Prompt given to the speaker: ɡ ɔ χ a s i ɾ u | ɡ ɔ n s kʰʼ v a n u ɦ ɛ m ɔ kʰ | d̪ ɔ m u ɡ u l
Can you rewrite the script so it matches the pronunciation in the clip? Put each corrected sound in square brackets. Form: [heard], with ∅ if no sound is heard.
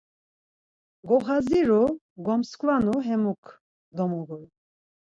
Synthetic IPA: ɡ ɔ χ a [z] i ɾ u | ɡ ɔ [m] s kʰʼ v a n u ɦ ɛ m [u] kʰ | d̪ ɔ m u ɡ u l